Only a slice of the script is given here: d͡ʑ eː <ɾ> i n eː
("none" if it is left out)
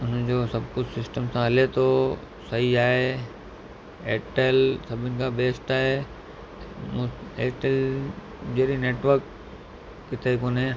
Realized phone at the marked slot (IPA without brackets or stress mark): ɾ